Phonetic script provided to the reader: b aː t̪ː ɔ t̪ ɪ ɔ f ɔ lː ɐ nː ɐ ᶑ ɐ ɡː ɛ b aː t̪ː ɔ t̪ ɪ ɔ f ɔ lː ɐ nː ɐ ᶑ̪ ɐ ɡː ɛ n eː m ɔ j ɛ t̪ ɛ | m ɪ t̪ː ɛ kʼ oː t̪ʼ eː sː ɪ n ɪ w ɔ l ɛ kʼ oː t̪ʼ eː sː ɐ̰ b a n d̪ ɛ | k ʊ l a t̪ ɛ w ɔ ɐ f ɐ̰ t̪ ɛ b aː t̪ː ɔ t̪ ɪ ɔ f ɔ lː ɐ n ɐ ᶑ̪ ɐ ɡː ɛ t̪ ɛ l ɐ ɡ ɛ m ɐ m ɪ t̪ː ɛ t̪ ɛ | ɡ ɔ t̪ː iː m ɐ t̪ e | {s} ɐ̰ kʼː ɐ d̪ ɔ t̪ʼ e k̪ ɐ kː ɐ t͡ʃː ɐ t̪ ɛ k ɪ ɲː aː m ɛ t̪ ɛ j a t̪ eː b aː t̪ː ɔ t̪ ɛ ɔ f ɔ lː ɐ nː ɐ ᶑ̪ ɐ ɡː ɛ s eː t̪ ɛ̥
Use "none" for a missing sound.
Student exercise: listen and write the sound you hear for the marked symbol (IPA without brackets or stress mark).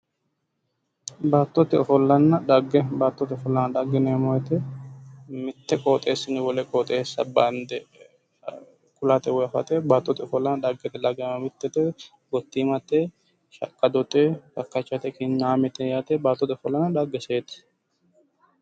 ʃ